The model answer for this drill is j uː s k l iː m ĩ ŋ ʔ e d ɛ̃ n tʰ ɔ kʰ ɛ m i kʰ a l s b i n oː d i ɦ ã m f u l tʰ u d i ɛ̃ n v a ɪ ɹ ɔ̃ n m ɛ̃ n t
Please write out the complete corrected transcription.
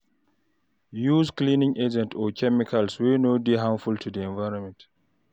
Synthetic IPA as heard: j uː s k l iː n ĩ ŋ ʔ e d͡ʒ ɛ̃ n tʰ ɔ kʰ ɛ m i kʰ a l s w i n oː d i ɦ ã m f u l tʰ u d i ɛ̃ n v a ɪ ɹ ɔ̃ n m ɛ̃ n t